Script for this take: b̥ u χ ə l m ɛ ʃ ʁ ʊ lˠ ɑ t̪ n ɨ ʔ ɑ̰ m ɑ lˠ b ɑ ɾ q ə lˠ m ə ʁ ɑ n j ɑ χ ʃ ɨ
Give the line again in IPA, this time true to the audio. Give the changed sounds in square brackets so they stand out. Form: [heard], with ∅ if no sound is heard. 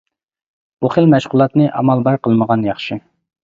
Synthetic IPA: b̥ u χ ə l m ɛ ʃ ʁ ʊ lˠ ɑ t̪ n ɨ ʔ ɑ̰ m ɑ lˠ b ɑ ɾ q ə lˠ m ə ʁ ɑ n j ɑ χ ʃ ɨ